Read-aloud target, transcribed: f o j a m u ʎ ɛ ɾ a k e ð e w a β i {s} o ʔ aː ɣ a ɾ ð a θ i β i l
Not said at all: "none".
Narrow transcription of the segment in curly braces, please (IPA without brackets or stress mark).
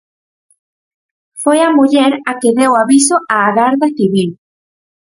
s